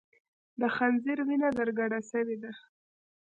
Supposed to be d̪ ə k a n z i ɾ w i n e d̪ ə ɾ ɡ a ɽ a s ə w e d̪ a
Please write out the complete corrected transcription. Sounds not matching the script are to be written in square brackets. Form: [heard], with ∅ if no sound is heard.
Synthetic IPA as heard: d̪ ə [x] a n z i ɾ w i n [a] d̪ ə ɾ ɡ a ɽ a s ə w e d̪ a